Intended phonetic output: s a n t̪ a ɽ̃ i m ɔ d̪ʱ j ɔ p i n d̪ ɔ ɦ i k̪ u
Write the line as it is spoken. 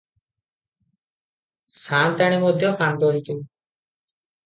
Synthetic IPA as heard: s a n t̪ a ɽ̃ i m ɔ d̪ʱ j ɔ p a n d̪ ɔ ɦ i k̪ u

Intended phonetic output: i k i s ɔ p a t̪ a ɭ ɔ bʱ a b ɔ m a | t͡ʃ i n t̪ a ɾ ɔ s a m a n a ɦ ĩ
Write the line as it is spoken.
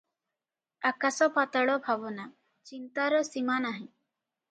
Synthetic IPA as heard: a k a s ɔ p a t̪ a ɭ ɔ bʱ a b ɔ n a | t͡ʃ i n t̪ a ɾ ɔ s i m a n a ɦ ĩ

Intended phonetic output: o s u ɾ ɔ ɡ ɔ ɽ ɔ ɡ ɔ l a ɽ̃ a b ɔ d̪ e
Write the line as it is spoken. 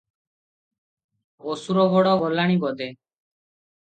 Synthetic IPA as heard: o s u ɾ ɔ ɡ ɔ ɽ ɔ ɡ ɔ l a ɽ̃ i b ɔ d̪ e

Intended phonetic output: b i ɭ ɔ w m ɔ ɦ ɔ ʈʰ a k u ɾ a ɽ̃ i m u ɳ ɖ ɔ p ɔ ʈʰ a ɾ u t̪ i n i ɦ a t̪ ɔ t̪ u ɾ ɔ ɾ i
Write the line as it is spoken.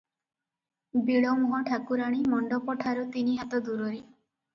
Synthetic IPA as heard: b i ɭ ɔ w m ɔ ɦ ɔ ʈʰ a k u ɾ a ɽ̃ i m ɔ ɳ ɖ ɔ p ɔ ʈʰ a ɾ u t̪ i n i ɦ a t̪ ɔ d̪ u ɾ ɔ ɾ i

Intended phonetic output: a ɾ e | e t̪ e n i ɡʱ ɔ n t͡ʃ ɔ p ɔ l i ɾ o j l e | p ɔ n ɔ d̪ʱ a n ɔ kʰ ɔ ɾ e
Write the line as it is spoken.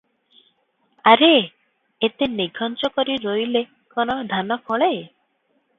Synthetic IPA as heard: a ɾ e | e t̪ e n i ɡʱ ɔ n t͡ʃ ɔ k ɔ ɾ i ɾ o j l e | k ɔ n ɔ d̪ʱ a n ɔ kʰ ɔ ɭ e

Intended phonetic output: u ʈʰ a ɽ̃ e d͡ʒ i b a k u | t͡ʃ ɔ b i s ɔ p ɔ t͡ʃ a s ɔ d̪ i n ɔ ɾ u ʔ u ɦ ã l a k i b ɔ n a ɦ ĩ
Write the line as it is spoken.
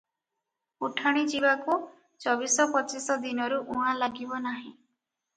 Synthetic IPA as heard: u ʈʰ a ɽ̃ i d͡ʒ i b a k u | t͡ʃ ɔ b i s ɔ p ɔ t͡ʃ i s ɔ d̪ i n ɔ ɾ u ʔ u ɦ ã l a ɡ i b ɔ n a ɦ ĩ

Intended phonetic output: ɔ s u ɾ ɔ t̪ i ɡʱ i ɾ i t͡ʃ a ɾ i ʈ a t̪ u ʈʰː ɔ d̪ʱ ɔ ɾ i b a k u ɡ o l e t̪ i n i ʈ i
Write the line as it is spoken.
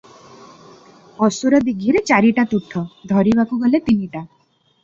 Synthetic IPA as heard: ɔ s u ɾ ɔ d̪ i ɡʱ i ɾ e t͡ʃ a ɾ i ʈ a t̪ u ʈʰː ɔ d̪ʱ ɔ ɾ i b a k u ɡ ɔ l e t̪ i n i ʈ a

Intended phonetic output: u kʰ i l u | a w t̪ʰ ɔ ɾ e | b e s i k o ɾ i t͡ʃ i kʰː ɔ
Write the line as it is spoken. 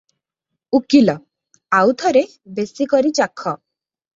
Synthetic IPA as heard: u k i l ɔ | a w t̪ʰ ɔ ɾ e | b e s i k ɔ ɾ i t͡ʃ a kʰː ɔ

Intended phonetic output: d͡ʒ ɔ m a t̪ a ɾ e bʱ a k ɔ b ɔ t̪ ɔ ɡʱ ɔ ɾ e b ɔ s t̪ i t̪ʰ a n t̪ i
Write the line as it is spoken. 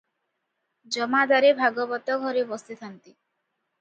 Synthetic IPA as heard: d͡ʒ ɔ m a d̪ a ɾ e bʱ a ɡ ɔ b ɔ t̪ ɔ ɡʱ ɔ ɾ e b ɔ s t̪ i t̪ʰ a n t̪ i

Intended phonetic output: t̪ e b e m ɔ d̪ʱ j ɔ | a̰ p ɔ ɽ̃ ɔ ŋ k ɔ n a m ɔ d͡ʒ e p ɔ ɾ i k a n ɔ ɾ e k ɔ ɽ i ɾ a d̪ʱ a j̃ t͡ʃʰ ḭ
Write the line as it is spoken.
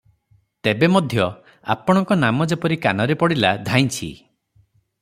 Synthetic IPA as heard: t̪ e b e m ɔ d̪ʱ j ɔ | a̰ p ɔ ɽ̃ ɔ ŋ k ɔ n a m ɔ d͡ʒ e p ɔ ɾ i k a n ɔ ɾ e p ɔ ɽ i l a d̪ʱ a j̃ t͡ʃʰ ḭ

